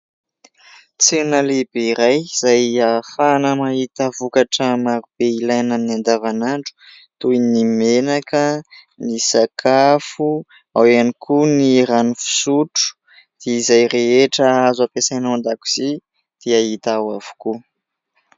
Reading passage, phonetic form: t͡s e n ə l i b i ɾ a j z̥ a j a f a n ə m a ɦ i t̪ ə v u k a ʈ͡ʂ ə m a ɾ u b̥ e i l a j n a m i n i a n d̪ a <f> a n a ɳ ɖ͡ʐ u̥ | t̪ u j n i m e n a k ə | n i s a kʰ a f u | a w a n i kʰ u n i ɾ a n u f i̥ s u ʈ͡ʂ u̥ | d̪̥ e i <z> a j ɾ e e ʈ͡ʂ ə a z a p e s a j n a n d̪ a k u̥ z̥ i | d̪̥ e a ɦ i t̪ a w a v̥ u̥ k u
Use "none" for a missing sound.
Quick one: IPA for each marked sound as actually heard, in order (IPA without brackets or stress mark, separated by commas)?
v, z